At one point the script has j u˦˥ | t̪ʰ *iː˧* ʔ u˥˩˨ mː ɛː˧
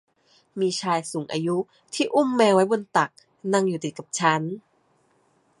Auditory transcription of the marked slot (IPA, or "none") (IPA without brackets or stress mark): iː˥˩